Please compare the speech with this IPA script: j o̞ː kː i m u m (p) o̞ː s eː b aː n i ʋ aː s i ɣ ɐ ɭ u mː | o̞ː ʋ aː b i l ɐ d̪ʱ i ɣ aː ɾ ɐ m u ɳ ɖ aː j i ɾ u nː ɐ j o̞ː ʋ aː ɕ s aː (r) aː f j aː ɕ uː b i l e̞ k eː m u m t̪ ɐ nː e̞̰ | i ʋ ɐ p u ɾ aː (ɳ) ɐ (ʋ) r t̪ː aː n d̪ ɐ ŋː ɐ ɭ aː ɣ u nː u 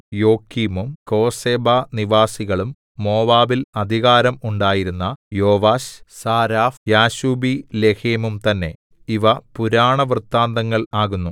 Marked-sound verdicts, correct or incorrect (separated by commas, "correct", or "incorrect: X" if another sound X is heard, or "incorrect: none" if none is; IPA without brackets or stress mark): incorrect: k, incorrect: ɾ, correct, correct